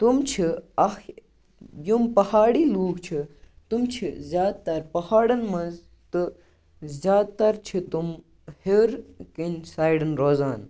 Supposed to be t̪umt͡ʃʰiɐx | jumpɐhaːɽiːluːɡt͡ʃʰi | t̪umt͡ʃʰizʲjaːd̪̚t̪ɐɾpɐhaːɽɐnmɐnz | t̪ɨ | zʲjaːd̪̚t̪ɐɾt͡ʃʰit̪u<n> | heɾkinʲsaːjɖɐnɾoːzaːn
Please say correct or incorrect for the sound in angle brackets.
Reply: incorrect